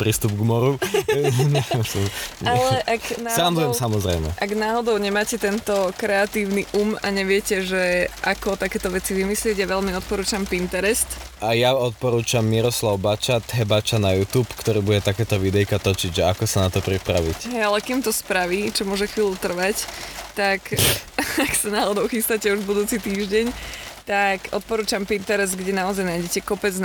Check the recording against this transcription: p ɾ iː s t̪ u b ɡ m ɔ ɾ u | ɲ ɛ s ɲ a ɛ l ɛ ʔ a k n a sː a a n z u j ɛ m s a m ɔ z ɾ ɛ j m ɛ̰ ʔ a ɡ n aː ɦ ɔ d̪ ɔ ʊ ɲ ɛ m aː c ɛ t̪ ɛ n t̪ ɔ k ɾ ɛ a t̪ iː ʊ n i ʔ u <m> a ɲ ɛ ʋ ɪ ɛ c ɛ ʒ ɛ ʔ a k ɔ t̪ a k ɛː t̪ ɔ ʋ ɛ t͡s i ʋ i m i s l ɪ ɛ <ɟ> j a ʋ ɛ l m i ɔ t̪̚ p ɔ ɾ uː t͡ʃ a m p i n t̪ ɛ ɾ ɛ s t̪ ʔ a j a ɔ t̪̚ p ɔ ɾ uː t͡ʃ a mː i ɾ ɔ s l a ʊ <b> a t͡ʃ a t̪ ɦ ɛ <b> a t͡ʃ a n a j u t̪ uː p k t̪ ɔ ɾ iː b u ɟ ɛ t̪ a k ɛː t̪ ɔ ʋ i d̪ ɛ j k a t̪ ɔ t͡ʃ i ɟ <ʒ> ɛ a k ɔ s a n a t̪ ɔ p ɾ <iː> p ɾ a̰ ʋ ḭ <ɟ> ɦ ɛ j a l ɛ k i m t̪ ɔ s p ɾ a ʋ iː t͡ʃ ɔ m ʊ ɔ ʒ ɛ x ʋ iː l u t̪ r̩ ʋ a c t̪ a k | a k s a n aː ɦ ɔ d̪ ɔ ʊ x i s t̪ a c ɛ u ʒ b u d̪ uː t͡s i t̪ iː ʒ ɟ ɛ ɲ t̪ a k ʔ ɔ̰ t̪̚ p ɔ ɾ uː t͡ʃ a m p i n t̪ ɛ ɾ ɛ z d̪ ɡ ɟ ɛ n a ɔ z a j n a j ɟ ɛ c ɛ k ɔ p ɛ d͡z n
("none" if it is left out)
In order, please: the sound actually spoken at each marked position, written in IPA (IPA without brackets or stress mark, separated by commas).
m, ɟ, b, b, ʒ, i, c